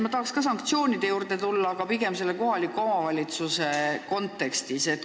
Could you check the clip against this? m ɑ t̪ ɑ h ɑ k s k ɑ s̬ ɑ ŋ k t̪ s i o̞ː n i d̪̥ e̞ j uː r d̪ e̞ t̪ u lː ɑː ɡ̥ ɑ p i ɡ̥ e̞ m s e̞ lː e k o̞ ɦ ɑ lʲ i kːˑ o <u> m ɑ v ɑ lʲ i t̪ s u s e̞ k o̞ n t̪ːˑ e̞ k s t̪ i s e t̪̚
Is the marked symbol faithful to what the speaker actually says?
no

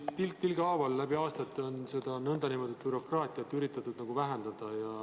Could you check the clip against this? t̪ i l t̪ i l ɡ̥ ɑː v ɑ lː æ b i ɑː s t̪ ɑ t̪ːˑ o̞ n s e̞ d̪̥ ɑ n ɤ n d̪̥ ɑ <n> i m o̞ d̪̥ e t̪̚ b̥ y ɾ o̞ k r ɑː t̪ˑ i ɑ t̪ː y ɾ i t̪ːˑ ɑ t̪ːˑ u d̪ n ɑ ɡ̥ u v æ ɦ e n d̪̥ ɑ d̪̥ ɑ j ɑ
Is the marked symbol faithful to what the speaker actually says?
yes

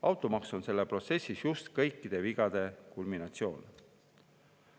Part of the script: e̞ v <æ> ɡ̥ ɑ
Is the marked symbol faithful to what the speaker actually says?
no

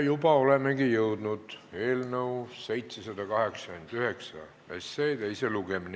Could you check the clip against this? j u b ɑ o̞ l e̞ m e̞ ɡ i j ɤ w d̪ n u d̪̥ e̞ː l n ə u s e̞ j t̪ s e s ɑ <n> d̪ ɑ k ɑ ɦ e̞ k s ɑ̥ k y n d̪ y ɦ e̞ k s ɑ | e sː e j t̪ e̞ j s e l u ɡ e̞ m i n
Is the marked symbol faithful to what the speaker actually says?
no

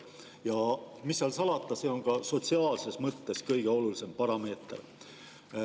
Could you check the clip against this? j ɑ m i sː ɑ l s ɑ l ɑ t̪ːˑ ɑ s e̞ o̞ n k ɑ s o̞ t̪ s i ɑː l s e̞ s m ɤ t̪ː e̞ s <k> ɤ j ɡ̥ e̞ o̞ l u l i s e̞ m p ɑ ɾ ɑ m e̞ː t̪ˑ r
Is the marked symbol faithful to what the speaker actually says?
yes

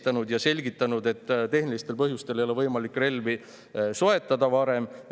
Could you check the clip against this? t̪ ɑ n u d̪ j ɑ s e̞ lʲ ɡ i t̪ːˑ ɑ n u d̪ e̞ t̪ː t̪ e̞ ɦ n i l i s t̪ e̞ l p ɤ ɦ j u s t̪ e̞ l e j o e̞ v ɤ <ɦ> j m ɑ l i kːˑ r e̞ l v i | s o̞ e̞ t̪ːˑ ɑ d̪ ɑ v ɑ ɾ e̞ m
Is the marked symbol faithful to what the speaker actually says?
no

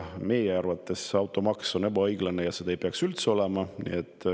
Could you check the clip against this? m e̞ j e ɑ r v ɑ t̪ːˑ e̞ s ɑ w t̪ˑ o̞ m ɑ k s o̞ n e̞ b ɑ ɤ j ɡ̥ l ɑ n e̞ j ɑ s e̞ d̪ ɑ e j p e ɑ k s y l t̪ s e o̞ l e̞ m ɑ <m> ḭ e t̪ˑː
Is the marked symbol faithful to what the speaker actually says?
no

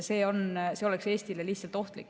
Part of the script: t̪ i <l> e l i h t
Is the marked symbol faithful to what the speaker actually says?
yes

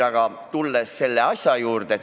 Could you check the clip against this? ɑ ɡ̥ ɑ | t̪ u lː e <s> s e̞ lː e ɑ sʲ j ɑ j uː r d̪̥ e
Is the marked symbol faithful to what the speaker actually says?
yes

